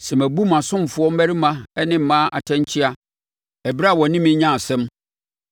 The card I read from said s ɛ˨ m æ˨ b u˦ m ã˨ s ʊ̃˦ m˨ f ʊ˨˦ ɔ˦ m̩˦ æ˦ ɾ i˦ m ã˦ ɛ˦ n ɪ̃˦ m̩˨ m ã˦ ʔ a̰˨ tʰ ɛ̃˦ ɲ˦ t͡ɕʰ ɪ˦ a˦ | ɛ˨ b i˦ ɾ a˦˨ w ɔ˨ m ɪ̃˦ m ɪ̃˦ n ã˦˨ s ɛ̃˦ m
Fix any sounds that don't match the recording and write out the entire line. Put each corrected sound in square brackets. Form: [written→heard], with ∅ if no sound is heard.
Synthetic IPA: s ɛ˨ m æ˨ b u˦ m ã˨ s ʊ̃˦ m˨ f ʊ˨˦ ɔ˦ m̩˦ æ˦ ɾ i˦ m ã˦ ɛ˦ n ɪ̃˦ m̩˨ m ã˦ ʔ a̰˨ tʰ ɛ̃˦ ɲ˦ t͡ɕʰ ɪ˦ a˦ | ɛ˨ b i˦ ɾ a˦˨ w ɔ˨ [m→n] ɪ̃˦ m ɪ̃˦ [n→ɲ] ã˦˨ s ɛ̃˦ m

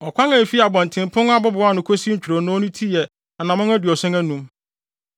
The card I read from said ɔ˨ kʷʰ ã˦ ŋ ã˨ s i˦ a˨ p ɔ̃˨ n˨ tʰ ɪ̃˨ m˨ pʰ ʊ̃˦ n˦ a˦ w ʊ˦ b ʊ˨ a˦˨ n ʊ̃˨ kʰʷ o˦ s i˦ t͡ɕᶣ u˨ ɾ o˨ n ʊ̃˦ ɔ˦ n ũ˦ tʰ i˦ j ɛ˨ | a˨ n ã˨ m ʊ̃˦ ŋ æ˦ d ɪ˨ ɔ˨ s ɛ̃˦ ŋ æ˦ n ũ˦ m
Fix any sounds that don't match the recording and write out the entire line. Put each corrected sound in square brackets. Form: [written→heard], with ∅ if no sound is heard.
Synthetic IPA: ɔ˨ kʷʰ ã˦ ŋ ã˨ [s→f] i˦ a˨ [p→b] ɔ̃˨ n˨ tʰ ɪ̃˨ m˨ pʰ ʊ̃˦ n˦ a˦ [w→b] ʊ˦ b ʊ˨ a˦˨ n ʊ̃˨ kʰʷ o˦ s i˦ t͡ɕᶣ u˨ ɾ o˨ n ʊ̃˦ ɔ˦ n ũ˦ tʰ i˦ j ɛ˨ | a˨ n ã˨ m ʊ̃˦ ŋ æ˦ d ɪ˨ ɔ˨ s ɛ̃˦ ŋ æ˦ n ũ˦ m

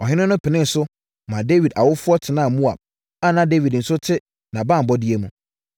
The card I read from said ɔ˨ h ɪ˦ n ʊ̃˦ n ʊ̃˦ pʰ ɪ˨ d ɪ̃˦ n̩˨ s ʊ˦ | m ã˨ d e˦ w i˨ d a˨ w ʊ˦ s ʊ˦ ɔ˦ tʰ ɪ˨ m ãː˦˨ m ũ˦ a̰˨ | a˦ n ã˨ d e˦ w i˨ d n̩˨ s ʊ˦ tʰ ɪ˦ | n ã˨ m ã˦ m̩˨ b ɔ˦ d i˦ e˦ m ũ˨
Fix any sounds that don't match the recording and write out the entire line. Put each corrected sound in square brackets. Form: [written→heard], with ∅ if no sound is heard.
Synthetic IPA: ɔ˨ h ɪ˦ n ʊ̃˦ n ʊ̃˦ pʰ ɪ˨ [d→n] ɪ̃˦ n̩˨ s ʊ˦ | m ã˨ d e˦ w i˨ d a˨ w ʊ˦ [s→f] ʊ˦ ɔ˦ tʰ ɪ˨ [m→n] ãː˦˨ m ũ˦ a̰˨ | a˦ n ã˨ d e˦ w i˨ d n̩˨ s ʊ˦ tʰ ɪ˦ | n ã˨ [m→b] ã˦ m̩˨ b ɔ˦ d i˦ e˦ m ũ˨

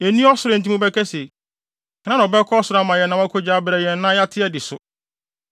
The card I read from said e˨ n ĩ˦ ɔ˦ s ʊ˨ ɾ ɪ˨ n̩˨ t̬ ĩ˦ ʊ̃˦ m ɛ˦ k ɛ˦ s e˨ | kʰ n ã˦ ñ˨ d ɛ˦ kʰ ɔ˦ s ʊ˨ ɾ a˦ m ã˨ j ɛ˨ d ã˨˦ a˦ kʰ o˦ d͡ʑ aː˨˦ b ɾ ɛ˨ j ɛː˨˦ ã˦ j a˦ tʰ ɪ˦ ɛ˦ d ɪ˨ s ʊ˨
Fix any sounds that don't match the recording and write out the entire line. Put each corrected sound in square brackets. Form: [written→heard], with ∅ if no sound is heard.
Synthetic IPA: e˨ n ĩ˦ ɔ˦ s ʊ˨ ɾ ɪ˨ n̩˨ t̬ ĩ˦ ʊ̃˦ [m→b] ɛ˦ k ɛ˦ s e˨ | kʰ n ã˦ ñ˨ [d→b] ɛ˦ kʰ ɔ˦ s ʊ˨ ɾ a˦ m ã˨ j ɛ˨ [d→n] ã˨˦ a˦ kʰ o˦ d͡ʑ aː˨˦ b ɾ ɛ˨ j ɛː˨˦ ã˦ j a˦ tʰ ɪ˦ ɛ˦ d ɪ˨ s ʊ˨

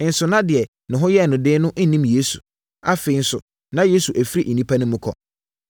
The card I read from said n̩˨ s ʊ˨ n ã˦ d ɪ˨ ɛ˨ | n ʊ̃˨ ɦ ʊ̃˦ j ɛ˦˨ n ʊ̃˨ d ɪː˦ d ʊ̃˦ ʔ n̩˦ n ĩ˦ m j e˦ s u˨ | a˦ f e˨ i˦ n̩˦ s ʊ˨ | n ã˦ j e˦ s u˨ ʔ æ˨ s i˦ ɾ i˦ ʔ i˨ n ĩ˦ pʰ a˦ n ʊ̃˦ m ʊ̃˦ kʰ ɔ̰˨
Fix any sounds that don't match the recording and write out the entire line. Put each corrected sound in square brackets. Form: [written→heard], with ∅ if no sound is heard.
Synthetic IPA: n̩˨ s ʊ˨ n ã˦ d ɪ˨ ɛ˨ | n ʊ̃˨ ɦ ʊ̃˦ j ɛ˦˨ n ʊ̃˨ d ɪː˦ [d→n] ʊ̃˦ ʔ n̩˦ n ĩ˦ m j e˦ s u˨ | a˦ f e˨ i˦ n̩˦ s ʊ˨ | n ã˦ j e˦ s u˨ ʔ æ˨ [s→f] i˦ ɾ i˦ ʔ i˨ n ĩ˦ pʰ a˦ n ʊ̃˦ m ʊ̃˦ kʰ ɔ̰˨

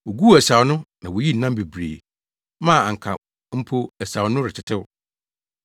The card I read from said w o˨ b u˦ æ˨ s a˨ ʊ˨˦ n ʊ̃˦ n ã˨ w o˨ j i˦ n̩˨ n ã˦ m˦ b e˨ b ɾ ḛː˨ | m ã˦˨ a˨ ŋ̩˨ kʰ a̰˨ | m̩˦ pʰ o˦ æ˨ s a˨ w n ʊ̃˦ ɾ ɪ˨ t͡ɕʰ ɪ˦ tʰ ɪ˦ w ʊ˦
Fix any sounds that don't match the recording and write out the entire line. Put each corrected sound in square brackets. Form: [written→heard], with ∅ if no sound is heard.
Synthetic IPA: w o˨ [b→ɡ] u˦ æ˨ s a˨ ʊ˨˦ n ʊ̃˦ n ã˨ w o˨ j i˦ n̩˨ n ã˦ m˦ b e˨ b ɾ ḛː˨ | m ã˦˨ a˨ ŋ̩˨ kʰ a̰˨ | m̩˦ pʰ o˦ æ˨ s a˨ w n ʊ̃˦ ɾ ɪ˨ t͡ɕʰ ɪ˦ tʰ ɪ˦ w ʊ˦

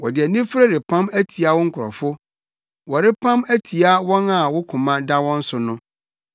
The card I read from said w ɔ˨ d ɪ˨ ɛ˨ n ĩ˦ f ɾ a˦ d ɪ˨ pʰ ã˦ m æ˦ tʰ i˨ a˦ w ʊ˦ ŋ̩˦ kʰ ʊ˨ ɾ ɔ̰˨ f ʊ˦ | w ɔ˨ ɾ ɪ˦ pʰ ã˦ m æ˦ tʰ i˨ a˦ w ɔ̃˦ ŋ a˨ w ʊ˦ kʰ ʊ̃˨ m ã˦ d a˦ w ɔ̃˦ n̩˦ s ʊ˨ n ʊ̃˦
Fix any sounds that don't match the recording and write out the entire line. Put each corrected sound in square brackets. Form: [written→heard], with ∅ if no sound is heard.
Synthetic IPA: w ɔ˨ d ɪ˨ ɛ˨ n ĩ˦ f ɾ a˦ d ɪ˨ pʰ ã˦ m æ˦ tʰ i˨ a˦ w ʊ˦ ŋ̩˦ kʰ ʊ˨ ɾ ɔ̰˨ f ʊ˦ | w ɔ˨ ɾ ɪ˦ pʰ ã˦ m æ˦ tʰ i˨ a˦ w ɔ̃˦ [ŋ→n] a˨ w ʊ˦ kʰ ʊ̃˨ m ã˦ d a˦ w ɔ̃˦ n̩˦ s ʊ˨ n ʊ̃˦

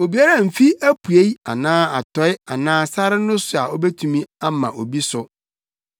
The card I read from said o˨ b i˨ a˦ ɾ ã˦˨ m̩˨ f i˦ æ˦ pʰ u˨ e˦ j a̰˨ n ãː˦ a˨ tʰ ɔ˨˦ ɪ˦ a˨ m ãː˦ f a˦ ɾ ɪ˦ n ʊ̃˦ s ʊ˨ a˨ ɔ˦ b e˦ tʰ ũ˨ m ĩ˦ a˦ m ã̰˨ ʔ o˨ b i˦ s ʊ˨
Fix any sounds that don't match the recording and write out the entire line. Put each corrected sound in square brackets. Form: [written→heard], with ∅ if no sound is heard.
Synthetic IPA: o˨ b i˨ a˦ ɾ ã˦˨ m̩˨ f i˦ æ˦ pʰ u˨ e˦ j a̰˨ n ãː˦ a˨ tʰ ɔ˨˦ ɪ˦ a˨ [m→n] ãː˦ [f→s] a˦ ɾ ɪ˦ n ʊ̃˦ s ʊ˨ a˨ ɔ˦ b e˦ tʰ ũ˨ m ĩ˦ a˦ m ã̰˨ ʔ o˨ b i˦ s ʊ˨

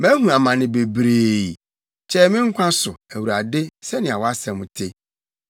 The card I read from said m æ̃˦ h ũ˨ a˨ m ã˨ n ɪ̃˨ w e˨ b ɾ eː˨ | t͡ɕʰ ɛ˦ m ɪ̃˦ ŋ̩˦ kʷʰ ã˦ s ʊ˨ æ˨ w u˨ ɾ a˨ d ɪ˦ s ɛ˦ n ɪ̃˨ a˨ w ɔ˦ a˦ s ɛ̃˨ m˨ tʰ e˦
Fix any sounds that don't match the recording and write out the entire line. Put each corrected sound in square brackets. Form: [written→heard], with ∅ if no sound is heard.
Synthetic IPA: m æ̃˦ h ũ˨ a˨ m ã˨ n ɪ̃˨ [w→b] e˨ b ɾ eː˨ | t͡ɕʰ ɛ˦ m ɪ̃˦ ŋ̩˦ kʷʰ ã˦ s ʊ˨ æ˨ w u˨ ɾ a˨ d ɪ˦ s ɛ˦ n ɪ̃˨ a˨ w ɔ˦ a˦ s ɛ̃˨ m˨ tʰ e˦

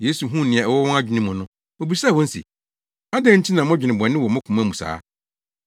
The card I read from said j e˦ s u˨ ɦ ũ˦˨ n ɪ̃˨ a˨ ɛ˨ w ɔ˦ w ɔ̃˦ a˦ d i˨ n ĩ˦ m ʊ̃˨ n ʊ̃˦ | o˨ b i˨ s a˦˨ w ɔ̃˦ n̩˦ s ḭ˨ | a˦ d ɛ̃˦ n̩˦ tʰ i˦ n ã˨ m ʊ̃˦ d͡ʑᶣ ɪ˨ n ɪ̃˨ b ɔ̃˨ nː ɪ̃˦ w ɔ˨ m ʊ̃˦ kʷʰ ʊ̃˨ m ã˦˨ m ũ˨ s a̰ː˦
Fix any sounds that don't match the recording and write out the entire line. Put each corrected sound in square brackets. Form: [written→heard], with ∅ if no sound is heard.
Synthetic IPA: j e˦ s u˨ ɦ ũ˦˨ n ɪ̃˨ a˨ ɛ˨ w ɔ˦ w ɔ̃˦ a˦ [d→d͡ʑᶣ] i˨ n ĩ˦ m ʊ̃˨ n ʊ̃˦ | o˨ b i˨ s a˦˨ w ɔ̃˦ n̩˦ s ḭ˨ | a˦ d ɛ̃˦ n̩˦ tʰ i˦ n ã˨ m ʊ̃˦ d͡ʑᶣ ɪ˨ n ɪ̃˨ b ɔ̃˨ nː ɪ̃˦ w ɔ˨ m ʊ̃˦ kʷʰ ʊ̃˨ m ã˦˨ m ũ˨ s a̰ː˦

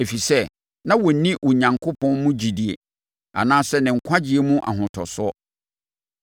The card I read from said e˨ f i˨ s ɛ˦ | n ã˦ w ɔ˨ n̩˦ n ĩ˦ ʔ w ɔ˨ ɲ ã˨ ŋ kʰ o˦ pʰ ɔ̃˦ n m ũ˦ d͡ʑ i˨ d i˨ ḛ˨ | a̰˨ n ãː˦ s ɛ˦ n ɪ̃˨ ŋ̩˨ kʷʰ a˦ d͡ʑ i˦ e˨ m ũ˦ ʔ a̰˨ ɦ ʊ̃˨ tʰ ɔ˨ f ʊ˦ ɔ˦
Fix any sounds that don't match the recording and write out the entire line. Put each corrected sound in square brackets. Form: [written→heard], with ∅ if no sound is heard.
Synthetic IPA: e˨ f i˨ s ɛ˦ | n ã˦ w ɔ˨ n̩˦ n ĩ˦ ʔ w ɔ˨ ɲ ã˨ ŋ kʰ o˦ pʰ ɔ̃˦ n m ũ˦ d͡ʑ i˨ d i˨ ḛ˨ | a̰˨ n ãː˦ s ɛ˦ n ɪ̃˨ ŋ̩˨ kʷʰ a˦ d͡ʑ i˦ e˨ m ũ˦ ʔ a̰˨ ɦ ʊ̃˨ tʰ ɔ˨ [f→s] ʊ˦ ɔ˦

